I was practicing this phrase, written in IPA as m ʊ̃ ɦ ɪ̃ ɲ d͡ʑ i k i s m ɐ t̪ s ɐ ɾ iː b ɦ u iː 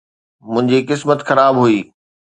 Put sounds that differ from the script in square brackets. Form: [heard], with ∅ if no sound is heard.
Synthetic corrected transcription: m ʊ̃ ɦ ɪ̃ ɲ d͡ʑ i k [ɪ] s m [ə] t̪ [x] ɐ ɾ [aː] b ɦ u iː